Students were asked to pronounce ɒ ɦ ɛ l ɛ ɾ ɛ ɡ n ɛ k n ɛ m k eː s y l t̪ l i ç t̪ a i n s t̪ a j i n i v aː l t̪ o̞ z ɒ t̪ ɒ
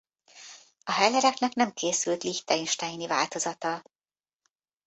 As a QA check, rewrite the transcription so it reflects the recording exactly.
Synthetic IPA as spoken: ɒ ɦ ɛ l ɛ ɾ ɛ k n ɛ k n ɛ m k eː s y l t̪ l i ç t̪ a i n ʃ t̪ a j i n i v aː l t̪ o̞ z ɒ t̪ ɒ